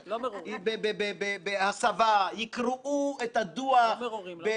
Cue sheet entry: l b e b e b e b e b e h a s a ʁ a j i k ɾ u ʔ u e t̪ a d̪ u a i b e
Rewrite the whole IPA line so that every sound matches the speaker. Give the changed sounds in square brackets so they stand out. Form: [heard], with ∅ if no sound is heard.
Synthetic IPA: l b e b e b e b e b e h a s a [v] a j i k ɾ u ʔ u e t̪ a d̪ u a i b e